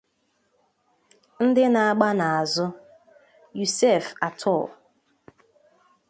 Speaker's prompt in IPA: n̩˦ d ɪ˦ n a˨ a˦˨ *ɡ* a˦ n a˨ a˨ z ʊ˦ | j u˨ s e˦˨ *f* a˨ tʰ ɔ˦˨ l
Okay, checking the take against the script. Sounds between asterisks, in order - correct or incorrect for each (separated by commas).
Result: incorrect, correct